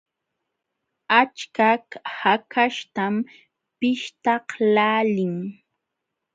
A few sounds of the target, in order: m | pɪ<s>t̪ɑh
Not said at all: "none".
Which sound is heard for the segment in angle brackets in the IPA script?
ʃ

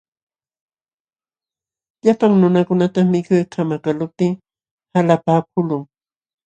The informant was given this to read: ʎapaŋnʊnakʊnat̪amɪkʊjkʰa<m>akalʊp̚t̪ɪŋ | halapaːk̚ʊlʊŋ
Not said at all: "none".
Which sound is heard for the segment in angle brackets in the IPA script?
m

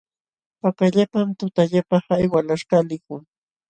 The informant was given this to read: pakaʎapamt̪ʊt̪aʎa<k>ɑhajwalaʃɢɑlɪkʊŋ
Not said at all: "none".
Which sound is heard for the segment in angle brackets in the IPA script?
p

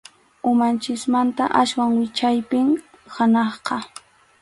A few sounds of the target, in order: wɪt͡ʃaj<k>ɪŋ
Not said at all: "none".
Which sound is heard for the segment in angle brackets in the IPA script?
p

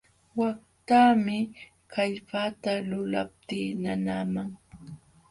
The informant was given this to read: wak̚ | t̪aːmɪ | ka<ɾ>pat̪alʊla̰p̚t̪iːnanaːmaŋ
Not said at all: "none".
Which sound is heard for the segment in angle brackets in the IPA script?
ʎ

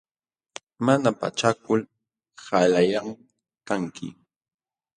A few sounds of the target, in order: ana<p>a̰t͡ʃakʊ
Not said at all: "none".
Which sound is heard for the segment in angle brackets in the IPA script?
p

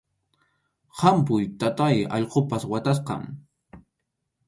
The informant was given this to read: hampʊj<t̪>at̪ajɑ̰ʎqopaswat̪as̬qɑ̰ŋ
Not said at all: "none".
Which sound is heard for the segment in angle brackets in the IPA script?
t̪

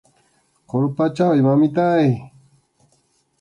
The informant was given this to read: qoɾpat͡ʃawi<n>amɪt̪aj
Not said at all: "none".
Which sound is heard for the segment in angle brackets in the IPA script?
m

